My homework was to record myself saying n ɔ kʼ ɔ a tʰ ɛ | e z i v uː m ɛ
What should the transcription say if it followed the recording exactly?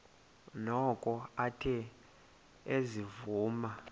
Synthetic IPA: n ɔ kʼ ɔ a tʰ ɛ | e z i v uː m a